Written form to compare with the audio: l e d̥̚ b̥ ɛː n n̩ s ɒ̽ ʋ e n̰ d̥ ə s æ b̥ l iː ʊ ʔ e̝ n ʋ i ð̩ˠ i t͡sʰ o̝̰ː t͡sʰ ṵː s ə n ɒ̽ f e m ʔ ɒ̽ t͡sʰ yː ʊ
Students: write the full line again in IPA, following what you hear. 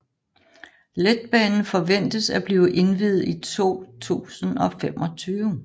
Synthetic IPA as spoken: l e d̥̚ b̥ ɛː n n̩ f ɒ̽ ʋ e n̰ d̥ ə s æ b̥ l iː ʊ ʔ e̝ n ʋ i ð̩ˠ i t͡sʰ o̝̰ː t͡sʰ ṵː s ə n ɒ̽ f e m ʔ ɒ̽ t͡sʰ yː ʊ